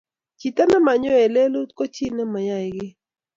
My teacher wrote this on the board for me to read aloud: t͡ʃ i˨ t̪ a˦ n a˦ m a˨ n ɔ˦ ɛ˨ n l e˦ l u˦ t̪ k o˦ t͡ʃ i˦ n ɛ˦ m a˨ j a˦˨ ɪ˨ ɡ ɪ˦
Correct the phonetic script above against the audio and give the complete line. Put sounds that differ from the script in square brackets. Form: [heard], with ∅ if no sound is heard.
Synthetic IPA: t͡ʃ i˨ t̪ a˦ n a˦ m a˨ [ɲ] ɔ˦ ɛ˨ [∅] l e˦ l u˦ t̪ k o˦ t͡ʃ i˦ n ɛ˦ m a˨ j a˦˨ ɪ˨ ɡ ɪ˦